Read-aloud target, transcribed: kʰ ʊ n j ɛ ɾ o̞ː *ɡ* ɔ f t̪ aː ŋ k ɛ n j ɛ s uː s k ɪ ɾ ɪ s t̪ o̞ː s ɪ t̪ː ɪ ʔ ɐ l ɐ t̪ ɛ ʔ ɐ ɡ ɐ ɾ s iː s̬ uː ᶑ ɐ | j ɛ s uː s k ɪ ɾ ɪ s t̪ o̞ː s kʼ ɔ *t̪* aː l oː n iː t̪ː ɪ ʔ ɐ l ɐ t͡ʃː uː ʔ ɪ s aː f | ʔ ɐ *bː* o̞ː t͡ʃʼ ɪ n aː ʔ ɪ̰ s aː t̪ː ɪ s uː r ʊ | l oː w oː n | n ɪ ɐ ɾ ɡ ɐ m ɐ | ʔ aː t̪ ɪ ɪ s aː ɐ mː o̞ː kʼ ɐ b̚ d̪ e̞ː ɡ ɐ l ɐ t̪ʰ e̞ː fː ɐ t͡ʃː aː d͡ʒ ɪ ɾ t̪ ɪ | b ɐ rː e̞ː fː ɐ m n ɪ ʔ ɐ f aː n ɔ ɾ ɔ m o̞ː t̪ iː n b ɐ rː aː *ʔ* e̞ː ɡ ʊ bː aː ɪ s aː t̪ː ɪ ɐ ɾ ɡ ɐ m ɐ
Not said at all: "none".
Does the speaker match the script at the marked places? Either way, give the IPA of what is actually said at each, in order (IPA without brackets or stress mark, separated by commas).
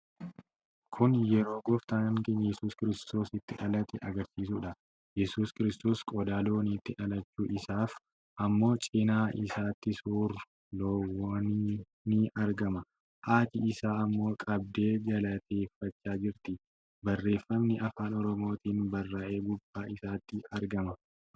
ɡ, d̪, mː, ʔ